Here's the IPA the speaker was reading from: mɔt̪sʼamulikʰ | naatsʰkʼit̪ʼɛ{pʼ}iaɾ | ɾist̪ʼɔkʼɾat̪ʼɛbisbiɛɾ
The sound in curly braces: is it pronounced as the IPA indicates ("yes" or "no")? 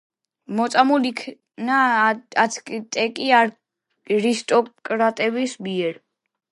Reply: no